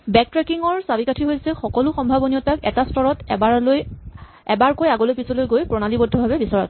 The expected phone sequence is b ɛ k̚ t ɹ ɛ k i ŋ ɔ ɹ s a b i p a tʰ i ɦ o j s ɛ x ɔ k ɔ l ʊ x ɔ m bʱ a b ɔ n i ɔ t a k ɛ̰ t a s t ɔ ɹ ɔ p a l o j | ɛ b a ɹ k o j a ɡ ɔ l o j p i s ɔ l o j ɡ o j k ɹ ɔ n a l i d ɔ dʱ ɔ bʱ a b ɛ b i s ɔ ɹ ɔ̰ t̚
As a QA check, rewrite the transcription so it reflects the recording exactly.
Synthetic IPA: b ɛ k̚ t ɹ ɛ k i ŋ ɔ ɹ s a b i k a tʰ i ɦ o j s ɛ x ɔ k ɔ l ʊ x ɔ m bʱ a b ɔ n i ɔ t a k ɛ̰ t a s t ɔ ɹ ɔ t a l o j | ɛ b a ɹ k o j a ɡ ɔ l o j p i s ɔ l o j ɡ o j p ɹ ɔ n a l i b ɔ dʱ ɔ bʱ a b ɛ b i s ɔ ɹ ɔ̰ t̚

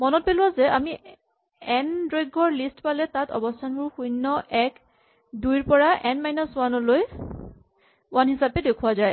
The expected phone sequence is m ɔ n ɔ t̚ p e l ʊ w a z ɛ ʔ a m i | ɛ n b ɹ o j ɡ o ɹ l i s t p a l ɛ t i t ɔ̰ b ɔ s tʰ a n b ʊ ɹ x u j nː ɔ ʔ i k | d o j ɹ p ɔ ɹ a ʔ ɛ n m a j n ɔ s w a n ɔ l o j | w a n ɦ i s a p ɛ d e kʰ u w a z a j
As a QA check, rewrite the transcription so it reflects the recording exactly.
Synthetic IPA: m ɔ n ɔ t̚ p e l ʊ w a z ɛ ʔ a m i | ɛ n d ɹ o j ɡ ɔ ɹ l i s t p a l ɛ t a t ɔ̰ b ɔ s tʰ a n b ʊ ɹ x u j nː ɔ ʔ ɛ k | d u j ɹ p ɔ ɹ a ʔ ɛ n m a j n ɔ s w a n ɔ l o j | w a n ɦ i s a p ɛ d e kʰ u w a z a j

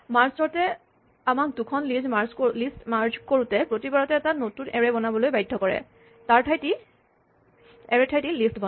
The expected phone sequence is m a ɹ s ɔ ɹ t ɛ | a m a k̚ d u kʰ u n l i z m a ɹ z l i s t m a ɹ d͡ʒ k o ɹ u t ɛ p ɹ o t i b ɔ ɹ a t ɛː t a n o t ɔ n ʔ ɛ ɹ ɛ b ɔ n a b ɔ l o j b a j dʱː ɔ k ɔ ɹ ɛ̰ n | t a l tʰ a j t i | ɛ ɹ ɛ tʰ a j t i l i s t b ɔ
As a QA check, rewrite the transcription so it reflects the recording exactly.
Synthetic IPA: m a ɹ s ɔ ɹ t ɛ | a m a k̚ d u kʰ ɔ n l i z m a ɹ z l i s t m a ɹ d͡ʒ k o ɹ u t ɛ p ɹ o t i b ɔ ɹ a t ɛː t a n o t u n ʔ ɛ ɹ ɛ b ɔ n a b ɔ l o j b a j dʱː ɔ k ɔ ɹ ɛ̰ | t a ɹ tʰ a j t i | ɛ ɹ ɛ tʰ a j t i l i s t b ɔ

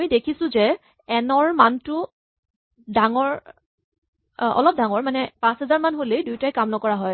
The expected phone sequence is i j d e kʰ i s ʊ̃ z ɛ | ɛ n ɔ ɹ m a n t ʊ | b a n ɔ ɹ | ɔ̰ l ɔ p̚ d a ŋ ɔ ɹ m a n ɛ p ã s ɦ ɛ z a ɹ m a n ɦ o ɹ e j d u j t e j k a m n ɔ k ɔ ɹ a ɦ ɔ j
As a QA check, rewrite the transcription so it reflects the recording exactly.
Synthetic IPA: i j d e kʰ i s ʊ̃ z ɛ | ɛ n ɔ ɹ m a n t ʊ | d a ŋ ɔ ɹ | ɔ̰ l ɔ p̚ d a ŋ ɔ ɹ m a n ɛ p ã s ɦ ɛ z a ɹ m a n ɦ o l e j d u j t a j k a m n ɔ k ɔ ɹ a ɦ ɔ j

